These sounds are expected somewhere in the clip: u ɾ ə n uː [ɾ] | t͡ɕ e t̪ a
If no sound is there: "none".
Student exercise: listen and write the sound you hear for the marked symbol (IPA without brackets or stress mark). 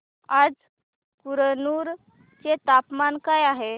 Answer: ɾ